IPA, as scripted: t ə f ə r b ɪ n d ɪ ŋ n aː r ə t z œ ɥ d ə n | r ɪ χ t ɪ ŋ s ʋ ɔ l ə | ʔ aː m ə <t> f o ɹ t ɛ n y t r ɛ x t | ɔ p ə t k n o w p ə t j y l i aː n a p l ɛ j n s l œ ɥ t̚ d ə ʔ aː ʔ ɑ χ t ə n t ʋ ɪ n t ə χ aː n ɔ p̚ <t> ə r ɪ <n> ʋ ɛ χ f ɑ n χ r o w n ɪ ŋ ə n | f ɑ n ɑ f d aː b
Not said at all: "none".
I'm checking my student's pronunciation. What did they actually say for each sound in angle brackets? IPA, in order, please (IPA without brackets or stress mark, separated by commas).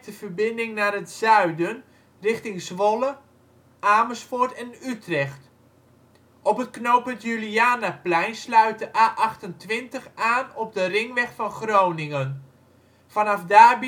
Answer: s, d, ŋ